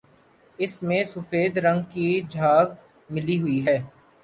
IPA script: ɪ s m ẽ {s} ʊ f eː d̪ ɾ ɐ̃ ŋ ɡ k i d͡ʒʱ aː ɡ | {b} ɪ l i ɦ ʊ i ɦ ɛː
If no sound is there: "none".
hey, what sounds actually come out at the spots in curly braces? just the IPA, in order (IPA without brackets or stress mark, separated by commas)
s, m